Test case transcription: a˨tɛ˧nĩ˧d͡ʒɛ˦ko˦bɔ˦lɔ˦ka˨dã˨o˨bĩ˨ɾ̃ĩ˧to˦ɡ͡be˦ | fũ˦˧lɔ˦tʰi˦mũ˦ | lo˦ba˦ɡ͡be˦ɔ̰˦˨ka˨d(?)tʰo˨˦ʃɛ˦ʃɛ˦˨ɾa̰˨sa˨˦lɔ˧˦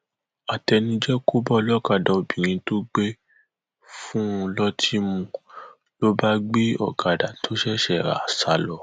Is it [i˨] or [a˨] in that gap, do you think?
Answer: a˨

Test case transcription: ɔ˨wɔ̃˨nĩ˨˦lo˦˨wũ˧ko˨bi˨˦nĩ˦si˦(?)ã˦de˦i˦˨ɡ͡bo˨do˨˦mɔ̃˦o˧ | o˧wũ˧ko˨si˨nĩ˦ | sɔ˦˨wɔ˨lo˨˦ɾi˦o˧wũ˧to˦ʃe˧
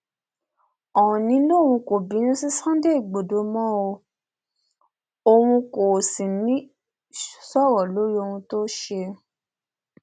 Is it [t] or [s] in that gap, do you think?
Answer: s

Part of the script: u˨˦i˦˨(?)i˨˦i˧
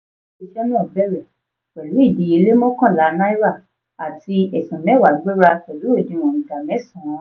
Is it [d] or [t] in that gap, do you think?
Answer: d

